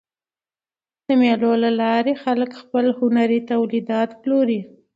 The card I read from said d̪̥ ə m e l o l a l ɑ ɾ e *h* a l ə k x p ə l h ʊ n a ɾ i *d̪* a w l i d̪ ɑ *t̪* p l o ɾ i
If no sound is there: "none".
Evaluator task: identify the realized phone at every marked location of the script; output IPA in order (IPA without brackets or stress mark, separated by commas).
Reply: x, t̪, t̪